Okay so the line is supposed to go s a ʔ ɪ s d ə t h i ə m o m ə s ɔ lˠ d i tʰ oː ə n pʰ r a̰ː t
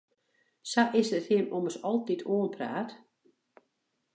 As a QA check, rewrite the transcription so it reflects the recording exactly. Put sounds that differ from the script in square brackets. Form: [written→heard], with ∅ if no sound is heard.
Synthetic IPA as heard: s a ʔ ɪ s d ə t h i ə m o m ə s ɔ lˠ [d→t] i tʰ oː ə n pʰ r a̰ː t

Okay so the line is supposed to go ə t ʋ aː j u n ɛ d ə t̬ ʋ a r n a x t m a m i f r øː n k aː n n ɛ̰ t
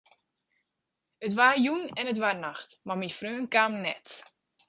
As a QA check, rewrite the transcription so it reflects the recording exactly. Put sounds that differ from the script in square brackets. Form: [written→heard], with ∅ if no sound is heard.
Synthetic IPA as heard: ə t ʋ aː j u n ɛ [d→n] ə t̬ ʋ a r n a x t m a m i f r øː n k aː [n→m] n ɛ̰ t

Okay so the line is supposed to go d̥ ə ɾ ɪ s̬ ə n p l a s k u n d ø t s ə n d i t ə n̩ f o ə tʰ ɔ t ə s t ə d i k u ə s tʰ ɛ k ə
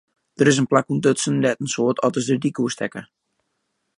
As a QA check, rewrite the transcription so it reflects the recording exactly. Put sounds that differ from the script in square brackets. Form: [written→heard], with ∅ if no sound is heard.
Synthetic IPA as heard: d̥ ə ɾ ɪ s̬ ə n p l a [s→∅] k u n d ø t s ə n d [i→ɛ] t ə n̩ [f→s] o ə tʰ ɔ t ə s [t→d] ə d i k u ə s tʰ ɛ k ə

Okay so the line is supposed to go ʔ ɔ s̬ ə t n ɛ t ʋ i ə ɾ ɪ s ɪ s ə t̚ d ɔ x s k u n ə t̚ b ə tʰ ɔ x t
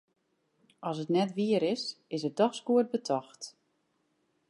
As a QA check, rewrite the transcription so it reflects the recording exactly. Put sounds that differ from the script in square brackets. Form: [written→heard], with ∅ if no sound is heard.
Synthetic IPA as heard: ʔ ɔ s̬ ə t n ɛ t ʋ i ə ɾ ɪ s ɪ s ə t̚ d ɔ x s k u [n→∅] ə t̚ b ə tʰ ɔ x t

